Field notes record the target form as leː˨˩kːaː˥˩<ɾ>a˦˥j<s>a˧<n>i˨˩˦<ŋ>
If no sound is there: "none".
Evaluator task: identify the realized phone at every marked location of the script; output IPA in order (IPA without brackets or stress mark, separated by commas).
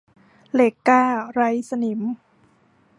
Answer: ɾ, s, n, m